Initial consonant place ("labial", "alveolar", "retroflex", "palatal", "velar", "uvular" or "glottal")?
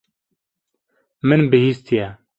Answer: labial